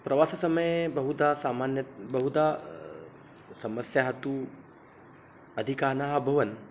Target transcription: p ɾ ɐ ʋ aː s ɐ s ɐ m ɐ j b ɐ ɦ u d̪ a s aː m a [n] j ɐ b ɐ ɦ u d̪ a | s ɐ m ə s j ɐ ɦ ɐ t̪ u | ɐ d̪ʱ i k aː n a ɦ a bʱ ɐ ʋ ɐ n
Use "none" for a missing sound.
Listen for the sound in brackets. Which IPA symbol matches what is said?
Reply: n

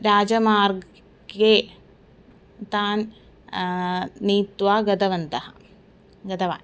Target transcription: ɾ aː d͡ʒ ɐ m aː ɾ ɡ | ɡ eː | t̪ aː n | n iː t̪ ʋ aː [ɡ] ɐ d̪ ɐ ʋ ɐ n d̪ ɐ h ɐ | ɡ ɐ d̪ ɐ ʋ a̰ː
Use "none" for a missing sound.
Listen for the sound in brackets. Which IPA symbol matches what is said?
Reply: ɡ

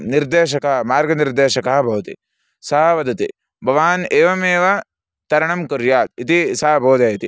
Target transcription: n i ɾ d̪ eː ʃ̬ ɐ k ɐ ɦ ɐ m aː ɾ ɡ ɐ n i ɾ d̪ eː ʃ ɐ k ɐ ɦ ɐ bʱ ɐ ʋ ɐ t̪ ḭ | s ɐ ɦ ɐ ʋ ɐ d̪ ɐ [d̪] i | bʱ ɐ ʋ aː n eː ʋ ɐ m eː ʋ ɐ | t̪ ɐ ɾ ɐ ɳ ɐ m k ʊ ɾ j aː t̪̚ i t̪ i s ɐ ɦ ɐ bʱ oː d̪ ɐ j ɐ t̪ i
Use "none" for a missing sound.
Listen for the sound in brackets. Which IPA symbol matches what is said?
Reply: t̪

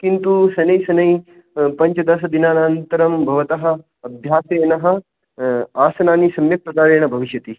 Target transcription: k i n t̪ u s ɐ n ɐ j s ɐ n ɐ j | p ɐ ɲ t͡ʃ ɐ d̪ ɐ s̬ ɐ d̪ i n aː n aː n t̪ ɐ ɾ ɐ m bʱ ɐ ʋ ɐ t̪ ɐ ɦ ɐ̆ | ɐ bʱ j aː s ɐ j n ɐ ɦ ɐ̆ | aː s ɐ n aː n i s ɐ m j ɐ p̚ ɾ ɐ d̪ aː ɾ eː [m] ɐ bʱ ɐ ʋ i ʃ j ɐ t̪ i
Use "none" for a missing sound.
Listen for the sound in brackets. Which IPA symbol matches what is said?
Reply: ɳ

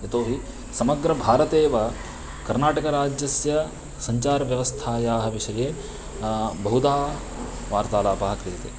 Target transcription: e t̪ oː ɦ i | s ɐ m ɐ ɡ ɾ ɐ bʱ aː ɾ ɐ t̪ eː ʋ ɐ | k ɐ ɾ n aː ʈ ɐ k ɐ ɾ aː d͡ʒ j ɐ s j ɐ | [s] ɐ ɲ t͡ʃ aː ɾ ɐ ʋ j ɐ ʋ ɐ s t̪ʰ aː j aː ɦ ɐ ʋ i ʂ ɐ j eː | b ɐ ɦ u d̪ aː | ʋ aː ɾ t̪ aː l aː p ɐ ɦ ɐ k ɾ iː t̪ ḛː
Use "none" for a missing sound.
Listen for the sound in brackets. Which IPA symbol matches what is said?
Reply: s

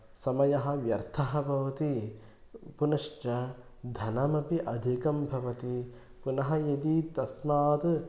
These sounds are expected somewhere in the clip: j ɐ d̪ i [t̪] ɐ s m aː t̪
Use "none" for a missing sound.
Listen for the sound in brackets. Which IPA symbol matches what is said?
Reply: t̪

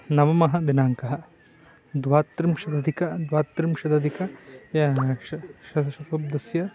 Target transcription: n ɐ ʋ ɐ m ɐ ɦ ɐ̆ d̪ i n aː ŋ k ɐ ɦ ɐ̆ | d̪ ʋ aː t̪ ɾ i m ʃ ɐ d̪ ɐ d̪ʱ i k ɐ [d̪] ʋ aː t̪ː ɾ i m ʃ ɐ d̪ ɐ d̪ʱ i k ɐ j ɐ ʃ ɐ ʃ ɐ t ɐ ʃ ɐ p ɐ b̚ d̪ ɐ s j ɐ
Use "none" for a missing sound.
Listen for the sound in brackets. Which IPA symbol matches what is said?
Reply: d̪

